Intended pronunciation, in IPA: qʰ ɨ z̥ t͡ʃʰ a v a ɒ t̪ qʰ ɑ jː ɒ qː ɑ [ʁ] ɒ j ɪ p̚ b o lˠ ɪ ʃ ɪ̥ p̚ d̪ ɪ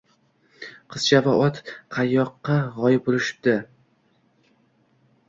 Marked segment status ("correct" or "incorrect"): correct